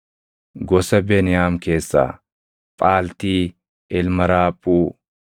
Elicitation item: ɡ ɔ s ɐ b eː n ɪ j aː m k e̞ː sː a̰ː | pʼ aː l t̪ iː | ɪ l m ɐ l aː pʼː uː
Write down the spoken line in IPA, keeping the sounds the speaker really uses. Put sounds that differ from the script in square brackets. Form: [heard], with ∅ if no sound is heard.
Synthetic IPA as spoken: ɡ ɔ s ɐ b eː n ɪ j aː m k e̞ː sː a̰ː | pʼ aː l t̪ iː | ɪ l m ɐ [ɾ] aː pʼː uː